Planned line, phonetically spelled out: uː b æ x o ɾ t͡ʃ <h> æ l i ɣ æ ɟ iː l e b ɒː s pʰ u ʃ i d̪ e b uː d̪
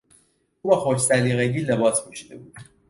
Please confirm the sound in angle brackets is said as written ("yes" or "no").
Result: no